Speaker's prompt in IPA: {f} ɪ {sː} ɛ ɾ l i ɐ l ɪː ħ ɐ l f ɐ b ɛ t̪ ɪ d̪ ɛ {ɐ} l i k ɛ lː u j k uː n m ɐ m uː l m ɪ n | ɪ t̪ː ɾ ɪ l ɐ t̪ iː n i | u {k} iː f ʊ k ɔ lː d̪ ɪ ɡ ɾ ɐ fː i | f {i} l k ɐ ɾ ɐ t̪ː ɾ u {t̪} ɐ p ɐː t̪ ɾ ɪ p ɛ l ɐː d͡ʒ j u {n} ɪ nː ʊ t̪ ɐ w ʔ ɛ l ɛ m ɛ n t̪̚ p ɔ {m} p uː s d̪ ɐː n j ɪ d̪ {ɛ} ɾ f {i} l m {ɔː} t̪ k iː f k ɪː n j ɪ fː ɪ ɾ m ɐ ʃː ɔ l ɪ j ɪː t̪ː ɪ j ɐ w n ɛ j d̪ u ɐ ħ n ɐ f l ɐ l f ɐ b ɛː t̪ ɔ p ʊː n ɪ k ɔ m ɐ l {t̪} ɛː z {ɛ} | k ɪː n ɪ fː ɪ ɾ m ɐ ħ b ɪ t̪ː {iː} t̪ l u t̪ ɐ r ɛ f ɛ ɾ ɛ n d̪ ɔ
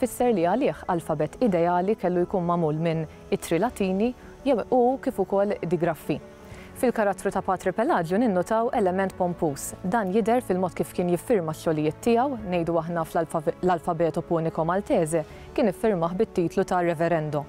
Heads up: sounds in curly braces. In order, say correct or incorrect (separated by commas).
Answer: correct, correct, incorrect, correct, incorrect, correct, correct, correct, correct, incorrect, correct, correct, correct, correct